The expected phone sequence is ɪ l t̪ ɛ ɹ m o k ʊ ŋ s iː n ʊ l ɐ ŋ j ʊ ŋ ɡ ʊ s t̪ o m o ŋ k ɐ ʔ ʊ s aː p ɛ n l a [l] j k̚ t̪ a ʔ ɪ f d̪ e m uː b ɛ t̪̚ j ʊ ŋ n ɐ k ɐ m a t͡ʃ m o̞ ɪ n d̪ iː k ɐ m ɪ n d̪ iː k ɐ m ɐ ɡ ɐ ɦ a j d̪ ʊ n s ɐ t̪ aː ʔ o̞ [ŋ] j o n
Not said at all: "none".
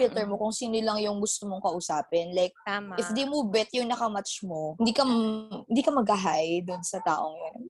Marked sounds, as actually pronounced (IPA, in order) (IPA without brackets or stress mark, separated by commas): none, ŋ